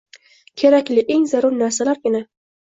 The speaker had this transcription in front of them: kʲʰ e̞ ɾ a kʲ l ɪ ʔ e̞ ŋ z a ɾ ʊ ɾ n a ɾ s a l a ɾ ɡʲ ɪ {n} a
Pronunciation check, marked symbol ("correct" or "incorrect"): correct